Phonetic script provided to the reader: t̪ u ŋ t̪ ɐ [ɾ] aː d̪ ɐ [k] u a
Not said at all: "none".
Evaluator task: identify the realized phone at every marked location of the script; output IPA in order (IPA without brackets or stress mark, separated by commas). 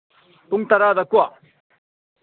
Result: ɾ, k